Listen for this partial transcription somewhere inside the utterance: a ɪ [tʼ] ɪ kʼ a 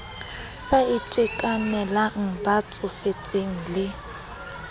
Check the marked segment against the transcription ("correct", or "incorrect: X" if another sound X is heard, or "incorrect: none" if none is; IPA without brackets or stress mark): correct